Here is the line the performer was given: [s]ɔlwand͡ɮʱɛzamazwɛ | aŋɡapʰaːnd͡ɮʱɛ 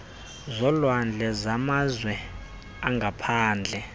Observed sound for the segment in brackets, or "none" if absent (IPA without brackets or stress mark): z